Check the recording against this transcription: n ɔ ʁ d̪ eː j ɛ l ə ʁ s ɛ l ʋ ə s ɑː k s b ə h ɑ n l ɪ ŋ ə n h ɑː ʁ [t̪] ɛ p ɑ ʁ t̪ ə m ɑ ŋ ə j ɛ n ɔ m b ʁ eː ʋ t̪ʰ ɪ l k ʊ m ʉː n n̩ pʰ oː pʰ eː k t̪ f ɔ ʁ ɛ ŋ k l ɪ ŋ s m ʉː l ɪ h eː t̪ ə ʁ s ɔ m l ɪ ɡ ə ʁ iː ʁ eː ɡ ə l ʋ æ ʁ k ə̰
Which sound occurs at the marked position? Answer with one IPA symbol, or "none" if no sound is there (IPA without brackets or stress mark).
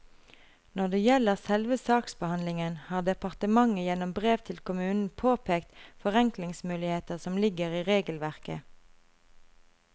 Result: d̪